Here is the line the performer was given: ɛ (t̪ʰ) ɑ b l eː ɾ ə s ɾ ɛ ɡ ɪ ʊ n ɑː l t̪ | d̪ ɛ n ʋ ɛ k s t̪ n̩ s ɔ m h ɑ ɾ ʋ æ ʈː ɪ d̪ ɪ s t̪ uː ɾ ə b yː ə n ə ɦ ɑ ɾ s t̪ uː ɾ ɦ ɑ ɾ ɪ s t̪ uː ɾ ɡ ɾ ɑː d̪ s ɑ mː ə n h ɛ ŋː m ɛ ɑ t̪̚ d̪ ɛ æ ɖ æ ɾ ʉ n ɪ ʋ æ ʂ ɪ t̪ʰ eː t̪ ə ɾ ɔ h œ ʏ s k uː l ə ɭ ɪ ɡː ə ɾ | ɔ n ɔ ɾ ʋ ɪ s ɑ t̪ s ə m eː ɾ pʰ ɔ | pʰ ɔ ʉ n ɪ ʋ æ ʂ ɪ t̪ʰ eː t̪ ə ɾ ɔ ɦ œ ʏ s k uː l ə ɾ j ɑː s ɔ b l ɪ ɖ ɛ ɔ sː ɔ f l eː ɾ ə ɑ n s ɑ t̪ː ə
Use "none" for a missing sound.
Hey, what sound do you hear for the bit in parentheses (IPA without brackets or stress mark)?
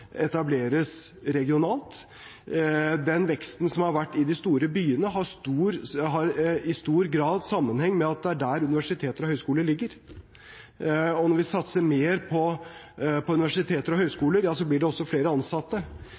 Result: t̪